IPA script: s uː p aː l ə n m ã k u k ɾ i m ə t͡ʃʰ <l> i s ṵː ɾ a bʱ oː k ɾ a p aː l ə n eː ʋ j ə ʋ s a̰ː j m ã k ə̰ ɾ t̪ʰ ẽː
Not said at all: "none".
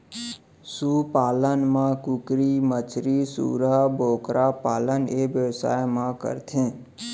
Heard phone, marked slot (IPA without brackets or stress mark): ɾ